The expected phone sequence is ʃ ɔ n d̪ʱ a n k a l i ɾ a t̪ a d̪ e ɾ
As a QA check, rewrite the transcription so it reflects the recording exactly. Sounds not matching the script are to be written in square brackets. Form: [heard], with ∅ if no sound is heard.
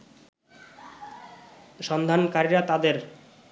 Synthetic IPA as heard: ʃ ɔ n d̪ʱ a n k a [ɾ] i ɾ a t̪ a d̪ e ɾ